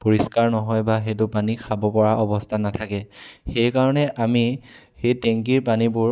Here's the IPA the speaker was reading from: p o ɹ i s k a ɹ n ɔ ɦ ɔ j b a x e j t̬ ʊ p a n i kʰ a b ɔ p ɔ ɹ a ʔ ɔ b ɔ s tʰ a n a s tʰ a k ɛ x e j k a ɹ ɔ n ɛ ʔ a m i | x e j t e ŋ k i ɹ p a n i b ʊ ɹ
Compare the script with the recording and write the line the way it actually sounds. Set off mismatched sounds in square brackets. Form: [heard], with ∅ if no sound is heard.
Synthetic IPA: p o ɹ i s k a ɹ n ɔ ɦ ɔ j b a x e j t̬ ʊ p a n i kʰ a b ɔ p ɔ ɹ a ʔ ɔ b ɔ s tʰ a n a [∅] tʰ a k ɛ x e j k a ɹ ɔ n ɛ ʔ a m i | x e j t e ŋ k i ɹ p a n i b ʊ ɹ